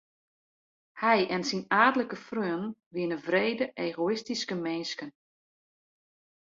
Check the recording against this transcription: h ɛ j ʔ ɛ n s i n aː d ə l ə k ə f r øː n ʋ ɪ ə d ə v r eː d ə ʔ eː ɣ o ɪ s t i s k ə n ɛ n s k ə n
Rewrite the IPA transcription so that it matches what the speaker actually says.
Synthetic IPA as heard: h ɛ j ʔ ɛ n s i n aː d ə l ə k ə f r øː n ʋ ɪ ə n ə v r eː d ə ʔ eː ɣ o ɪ s t i s k ə m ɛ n s k ə n

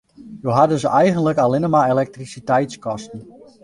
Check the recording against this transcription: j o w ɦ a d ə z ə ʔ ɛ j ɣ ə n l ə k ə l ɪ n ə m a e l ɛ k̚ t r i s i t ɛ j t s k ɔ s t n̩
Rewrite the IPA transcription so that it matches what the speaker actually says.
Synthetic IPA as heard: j o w ɦ a d ə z ə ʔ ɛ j ɣ ə n l ə k a l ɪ n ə m a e l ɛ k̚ t r i s i t ɛ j t s k ɔ s t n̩

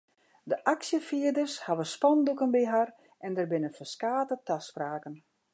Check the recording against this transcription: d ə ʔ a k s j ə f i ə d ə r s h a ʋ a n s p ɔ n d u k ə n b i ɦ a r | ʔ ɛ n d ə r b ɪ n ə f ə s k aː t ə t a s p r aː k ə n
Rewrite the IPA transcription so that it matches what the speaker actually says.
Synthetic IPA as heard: d ə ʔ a k s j ə f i ə d ə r s h a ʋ ə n s p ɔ n d u k ə n b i ɦ a r | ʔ ɛ n d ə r b ɪ n ə f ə s k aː t ə t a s p r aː k ə n

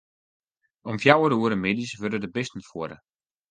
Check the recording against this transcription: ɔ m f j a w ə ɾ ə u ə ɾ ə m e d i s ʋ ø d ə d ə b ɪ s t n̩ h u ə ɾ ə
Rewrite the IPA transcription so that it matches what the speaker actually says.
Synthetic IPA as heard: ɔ m f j a w ə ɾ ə u ə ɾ ə m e d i s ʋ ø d ə d ə b ɪ s t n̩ f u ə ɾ ə

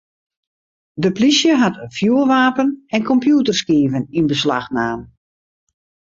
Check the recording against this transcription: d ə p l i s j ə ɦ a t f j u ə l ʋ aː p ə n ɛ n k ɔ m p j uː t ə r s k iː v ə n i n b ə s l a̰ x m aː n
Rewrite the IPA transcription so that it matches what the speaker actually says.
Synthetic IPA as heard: d ə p l i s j ə ɦ a t f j u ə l ʋ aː p ə n ɛ n k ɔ m p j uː t ə r s k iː v ə n i n b ə s l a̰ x n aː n

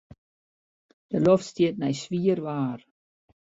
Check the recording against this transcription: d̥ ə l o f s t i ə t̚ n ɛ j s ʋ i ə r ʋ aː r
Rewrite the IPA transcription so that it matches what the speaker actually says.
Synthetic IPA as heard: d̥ ə l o f s t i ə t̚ n ɛ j s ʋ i ə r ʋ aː r

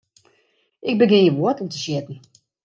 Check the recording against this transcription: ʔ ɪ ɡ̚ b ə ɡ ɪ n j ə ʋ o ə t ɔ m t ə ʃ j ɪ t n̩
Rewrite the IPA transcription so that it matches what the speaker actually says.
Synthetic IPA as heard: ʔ ɪ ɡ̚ b ə ɡ ɪ n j ə ʋ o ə t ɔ m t ə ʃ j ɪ t n̩

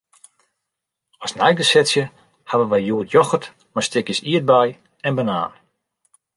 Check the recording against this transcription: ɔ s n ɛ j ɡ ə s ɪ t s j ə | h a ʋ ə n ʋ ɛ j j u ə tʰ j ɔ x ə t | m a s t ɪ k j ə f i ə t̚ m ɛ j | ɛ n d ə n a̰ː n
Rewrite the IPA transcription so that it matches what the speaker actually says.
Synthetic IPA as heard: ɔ s n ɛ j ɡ ə s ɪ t s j ə | h a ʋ ə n ʋ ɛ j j u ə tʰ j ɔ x ə t | m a s t ɪ k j ə s i ə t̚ b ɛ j | ɛ n b ə n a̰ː n

